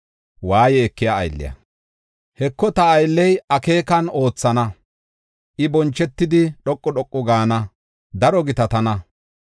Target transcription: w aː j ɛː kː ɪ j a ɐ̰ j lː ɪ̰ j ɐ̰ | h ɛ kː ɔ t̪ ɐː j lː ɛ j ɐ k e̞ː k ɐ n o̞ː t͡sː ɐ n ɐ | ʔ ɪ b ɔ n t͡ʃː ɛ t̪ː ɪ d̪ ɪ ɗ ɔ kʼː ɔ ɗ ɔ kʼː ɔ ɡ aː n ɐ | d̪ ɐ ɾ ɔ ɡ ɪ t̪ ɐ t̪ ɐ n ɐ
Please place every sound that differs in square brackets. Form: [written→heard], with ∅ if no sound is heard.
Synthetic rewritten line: w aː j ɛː kː ɪ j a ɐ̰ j lː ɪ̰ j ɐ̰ | h ɛ kː ɔ t̪ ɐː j lː ɛ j ɐ k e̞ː k ɐ n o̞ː t͡sː ɐ n ɐ | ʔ ɪ b ɔ n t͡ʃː ɛ t̪ː ɪ d̪ ɪ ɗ ɔ kʼː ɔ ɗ ɔ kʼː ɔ ɡ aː n ɐ | d̪ ɐ ɾ ɔ ɡ ɪ t̪ ɐ t̪ ɐ n ɐ